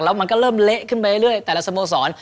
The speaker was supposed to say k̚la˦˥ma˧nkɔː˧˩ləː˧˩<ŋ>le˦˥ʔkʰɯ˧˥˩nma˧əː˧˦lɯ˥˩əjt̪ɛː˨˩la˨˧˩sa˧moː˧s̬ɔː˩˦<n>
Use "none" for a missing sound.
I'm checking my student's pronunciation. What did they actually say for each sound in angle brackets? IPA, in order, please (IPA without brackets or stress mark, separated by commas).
m, n